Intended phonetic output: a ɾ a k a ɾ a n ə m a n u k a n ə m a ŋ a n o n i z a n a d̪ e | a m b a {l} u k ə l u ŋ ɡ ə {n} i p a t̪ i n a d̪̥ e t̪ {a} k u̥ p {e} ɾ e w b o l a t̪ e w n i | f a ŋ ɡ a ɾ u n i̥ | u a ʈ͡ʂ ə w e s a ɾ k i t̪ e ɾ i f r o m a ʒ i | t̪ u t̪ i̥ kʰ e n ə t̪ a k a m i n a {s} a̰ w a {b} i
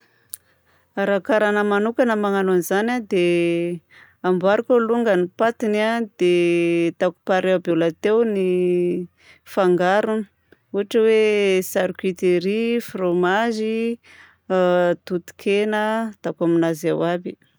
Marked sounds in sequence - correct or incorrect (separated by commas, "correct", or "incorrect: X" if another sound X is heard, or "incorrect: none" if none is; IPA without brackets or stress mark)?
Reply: incorrect: ɾ, correct, correct, incorrect: a, incorrect: z, correct